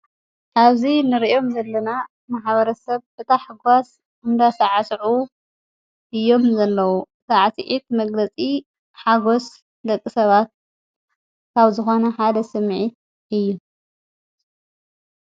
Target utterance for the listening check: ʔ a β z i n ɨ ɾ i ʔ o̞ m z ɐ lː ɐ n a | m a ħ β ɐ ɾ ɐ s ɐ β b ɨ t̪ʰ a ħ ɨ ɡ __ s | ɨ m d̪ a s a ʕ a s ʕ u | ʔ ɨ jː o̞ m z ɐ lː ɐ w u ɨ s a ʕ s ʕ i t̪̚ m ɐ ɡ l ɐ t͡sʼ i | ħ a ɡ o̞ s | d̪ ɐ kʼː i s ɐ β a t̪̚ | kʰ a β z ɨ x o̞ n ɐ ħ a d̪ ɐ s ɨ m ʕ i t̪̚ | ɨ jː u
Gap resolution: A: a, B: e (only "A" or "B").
A